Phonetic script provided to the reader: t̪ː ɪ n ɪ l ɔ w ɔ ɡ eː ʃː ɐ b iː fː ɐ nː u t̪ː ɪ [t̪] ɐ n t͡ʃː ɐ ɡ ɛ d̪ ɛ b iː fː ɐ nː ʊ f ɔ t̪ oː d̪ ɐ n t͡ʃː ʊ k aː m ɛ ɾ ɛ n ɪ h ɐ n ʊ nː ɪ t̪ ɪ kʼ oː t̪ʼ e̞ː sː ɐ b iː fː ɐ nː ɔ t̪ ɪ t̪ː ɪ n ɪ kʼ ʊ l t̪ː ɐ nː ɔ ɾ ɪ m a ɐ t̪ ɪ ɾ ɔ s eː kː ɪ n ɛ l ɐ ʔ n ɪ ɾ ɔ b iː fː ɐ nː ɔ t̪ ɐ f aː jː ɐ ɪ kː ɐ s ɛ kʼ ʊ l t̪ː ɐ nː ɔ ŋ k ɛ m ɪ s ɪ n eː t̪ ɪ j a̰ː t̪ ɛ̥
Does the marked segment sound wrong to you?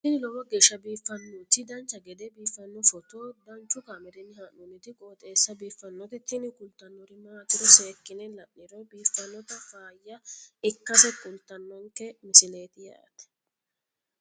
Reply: yes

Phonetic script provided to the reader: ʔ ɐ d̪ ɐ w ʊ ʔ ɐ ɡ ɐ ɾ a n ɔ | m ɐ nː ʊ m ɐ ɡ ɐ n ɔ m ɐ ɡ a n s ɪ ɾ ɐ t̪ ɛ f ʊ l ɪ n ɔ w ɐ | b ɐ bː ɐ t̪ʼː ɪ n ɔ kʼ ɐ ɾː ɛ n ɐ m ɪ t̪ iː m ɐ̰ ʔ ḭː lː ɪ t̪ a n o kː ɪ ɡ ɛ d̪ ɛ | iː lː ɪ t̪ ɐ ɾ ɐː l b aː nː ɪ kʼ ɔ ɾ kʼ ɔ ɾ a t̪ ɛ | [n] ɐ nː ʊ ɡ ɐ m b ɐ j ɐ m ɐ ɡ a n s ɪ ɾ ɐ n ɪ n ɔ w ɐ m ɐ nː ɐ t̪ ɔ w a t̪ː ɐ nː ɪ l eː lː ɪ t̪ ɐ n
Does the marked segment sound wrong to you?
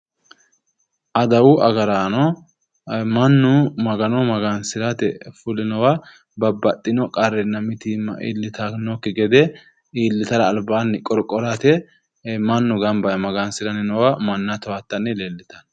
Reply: yes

